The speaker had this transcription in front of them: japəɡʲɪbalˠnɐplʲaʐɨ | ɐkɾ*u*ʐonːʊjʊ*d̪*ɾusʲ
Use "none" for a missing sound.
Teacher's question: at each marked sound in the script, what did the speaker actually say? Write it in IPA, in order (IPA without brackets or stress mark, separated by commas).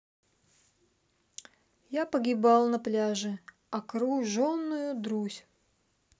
u, d̪